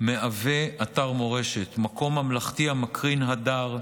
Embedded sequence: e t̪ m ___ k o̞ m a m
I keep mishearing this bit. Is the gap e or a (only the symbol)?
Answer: a